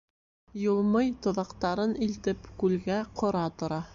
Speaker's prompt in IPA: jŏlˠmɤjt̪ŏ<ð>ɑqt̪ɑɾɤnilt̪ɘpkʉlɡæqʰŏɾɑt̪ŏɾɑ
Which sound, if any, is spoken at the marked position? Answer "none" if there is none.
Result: ð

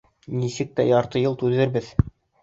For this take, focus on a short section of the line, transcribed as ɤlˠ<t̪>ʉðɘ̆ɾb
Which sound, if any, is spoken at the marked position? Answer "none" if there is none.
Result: t̪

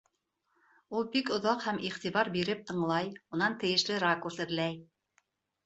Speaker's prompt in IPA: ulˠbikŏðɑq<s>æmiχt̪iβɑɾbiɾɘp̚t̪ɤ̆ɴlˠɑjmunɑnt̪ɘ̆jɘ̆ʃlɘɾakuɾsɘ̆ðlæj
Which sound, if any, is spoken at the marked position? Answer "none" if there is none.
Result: h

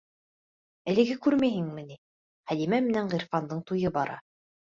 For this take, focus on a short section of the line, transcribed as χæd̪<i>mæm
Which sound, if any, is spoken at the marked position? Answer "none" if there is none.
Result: i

